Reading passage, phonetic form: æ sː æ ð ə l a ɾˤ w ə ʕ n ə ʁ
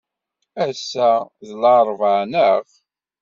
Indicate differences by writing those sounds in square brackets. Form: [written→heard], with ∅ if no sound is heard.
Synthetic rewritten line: æ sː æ ð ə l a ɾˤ [w→v] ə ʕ n ə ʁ